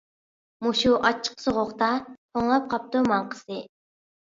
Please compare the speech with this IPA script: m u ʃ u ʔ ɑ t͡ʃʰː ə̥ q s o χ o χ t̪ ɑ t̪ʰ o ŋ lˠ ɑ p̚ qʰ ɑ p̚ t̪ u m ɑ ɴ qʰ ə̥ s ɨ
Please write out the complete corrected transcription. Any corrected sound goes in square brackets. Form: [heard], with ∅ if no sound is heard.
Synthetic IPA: m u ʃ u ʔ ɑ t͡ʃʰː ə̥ q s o [ʁ] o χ t̪ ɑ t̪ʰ o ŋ lˠ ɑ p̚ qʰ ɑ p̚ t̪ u m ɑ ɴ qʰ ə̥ s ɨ